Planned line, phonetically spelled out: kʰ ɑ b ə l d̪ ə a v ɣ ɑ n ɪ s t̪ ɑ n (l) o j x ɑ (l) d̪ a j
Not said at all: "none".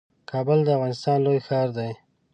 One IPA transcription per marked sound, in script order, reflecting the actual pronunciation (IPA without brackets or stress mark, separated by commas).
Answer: l, ɾ